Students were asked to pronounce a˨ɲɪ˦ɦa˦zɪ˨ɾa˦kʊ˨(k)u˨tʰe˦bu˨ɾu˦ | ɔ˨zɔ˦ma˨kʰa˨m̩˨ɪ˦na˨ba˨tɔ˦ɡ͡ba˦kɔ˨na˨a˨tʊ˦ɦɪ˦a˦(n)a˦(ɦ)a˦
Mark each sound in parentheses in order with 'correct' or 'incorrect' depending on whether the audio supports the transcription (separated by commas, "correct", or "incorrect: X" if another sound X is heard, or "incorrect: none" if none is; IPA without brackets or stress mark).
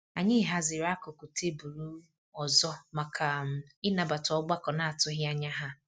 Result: correct, incorrect: ɲ, correct